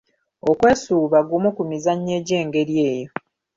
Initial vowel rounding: rounded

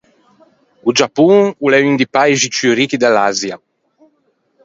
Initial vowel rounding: rounded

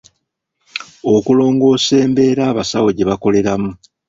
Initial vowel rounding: rounded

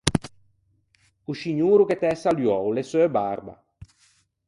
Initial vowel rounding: rounded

